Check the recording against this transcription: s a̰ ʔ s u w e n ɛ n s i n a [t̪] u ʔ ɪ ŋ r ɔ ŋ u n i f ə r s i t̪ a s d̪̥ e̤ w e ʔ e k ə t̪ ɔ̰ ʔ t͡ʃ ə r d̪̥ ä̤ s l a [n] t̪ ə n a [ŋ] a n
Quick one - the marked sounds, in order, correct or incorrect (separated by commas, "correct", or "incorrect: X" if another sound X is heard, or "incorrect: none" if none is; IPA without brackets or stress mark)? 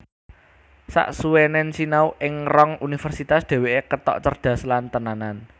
incorrect: none, correct, incorrect: n